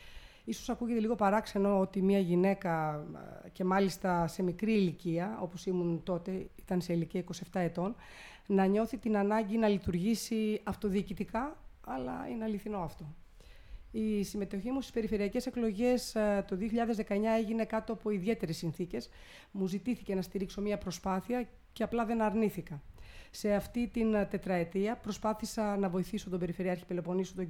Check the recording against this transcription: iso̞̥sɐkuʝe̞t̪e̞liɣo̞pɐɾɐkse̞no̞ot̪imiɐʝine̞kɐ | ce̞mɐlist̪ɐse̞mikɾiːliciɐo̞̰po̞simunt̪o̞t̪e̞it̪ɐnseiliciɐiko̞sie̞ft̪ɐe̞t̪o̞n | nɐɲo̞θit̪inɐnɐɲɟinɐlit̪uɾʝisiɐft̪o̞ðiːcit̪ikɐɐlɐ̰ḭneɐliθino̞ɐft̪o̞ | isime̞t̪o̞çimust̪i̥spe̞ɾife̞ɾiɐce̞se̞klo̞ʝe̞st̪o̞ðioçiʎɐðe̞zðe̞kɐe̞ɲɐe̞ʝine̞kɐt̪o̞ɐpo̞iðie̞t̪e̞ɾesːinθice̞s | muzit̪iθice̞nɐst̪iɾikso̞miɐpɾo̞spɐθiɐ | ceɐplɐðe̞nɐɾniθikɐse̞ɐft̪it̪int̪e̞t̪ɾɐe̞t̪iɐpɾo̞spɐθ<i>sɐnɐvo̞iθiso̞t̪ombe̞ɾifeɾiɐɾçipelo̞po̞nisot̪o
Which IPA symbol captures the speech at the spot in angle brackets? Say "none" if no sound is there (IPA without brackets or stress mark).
i